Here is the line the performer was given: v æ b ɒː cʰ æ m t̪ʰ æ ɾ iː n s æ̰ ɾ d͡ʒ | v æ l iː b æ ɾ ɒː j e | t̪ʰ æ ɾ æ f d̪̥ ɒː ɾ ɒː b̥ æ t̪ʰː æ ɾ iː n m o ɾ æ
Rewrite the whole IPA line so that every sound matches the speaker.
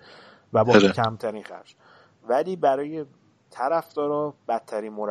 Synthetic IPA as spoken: v æ b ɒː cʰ æ m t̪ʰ æ ɾ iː n x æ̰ ɾ d͡ʒ | v æ l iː b æ ɾ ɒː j e | t̪ʰ æ ɾ æ f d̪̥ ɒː ɾ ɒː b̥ æ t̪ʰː æ ɾ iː n m o ɾ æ